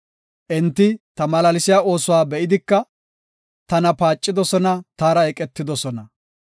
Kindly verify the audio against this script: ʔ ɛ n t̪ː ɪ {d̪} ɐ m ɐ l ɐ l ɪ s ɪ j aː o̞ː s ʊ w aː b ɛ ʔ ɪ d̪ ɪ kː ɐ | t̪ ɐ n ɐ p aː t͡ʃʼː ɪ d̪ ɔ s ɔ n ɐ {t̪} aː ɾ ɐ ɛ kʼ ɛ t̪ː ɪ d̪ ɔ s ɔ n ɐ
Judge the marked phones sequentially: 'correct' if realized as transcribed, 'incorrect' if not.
incorrect: t̪, correct

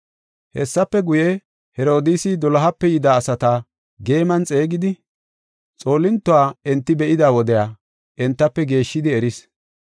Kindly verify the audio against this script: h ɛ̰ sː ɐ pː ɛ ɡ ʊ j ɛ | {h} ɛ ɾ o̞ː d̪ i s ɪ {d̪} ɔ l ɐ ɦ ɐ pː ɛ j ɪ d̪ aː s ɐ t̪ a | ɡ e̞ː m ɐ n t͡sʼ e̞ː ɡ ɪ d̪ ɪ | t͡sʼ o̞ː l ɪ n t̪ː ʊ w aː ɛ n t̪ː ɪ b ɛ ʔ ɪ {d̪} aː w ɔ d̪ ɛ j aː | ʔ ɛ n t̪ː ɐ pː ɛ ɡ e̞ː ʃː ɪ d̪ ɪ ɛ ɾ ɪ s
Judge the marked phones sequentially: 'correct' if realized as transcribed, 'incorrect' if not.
correct, correct, correct

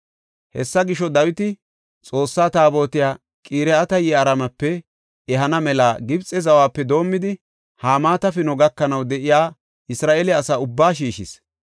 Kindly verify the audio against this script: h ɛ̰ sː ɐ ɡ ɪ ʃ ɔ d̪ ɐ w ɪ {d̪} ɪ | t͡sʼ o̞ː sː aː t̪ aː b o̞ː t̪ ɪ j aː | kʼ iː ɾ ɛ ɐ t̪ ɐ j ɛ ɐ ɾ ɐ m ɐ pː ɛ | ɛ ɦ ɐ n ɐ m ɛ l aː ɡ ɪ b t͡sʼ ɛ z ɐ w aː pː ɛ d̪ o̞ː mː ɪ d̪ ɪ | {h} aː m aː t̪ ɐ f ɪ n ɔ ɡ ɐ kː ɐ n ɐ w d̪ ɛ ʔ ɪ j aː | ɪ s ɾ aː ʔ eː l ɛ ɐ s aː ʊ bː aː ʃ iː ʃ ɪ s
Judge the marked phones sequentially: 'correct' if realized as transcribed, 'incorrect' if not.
incorrect: t̪, correct

